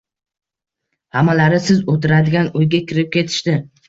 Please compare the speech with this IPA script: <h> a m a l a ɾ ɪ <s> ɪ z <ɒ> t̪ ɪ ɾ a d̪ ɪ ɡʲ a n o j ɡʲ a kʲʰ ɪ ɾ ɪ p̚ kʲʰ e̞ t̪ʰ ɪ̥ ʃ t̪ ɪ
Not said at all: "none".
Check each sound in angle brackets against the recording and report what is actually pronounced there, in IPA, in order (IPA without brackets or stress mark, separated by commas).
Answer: h, s, o